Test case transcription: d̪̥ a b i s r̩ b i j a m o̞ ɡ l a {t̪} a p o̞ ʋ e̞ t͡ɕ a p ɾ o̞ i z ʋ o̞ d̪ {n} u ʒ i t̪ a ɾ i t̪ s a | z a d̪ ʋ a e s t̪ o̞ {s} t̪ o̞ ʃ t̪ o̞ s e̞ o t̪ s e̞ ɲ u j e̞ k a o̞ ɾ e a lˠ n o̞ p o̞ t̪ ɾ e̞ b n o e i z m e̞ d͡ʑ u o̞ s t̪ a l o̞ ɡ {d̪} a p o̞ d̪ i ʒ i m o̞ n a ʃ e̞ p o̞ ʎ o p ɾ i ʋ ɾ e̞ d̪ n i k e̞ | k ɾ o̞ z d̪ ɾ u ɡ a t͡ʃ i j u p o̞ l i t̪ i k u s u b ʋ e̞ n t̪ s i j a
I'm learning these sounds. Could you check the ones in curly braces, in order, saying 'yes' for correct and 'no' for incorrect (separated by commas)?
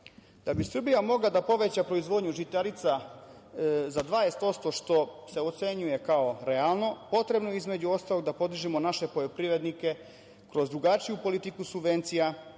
no, no, yes, yes